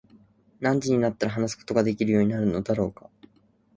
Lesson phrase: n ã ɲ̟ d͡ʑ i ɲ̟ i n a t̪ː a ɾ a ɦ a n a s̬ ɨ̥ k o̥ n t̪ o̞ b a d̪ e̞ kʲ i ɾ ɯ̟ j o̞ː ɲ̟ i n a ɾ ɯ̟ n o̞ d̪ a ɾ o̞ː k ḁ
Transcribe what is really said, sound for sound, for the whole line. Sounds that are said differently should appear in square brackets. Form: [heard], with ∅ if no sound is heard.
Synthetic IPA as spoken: n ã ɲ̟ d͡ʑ i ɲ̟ i n a t̪ː a ɾ a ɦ a n a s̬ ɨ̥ k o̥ [∅] t̪ o̞ [ɡ] a d̪ e̞ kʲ i ɾ ɯ̟ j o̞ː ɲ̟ i n a ɾ ɯ̟ n o̞ d̪ a ɾ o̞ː k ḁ

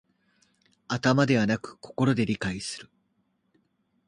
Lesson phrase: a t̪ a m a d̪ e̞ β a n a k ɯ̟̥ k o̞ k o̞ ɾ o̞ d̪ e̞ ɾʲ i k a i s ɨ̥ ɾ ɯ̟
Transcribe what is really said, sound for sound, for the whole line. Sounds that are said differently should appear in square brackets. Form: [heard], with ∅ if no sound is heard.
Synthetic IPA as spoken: a t̪ a m a d̪ e̞ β a n a k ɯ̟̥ k o̞ k o̞ ɾ o̞ d̪ e̞ ɾʲ i k a i s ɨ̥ ɾ ɯ̟

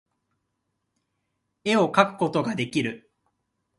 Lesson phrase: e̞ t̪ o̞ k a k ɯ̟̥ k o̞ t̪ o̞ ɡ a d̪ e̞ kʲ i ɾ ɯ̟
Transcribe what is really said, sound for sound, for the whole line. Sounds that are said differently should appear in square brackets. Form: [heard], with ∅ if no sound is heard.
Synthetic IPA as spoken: e̞ [∅] o̞ k a k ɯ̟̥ k o̞ t̪ o̞ ɡ a d̪ e̞ kʲ i ɾ ɯ̟

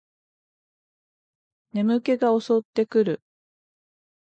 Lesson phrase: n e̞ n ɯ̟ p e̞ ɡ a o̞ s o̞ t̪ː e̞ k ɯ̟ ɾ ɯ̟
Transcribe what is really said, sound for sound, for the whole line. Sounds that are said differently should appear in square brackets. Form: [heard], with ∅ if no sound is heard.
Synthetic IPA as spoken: n e̞ [m] ɯ̟ [k] e̞ ɡ a o̞ s o̞ t̪ː e̞ k ɯ̟ ɾ ɯ̟

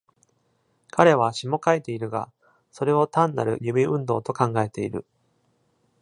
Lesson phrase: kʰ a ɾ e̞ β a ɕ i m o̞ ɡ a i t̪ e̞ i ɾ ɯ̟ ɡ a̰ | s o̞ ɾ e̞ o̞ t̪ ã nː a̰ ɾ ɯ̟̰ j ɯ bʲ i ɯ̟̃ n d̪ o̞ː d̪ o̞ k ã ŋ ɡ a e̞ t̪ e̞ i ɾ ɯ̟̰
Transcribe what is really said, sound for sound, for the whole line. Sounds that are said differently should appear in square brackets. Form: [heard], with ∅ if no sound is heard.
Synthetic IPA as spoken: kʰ a ɾ e̞ β a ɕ i m o̞ [k] a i t̪ e̞ i ɾ ɯ̟ ɡ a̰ | s o̞ ɾ e̞ o̞ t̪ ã nː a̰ ɾ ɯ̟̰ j ɯ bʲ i ɯ̟̃ n d̪ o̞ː [t̪] o̞ k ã ŋ ɡ a e̞ t̪ e̞ i ɾ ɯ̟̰

